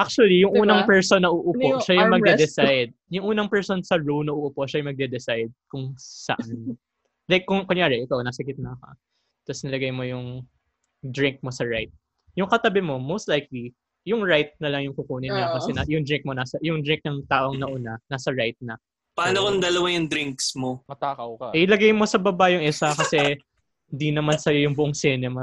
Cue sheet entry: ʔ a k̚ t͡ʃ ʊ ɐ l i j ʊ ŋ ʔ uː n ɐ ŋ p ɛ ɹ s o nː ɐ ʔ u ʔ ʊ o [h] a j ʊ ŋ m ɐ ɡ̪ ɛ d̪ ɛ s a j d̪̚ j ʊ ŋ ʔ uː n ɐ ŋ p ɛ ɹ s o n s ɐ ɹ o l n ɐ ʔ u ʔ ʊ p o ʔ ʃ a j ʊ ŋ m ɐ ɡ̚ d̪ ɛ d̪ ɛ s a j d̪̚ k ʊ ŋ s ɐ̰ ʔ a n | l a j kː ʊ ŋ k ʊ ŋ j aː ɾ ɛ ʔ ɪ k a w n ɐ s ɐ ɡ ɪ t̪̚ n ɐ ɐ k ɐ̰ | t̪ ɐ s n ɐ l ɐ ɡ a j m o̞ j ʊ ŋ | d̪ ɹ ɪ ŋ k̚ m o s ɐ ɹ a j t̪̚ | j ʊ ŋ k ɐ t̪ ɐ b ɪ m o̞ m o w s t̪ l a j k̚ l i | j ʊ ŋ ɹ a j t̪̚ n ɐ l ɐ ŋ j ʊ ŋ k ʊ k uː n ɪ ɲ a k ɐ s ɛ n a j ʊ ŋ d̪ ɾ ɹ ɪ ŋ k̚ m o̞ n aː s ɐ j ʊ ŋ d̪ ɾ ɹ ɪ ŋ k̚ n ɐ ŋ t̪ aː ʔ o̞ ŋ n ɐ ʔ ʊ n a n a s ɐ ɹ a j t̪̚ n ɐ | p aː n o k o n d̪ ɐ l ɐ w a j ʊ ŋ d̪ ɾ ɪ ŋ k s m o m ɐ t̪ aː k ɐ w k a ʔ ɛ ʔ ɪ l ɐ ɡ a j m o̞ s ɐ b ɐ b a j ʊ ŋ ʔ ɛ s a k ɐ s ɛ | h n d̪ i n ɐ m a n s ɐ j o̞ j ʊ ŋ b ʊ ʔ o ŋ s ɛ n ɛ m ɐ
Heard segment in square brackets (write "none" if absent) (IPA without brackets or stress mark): ʃ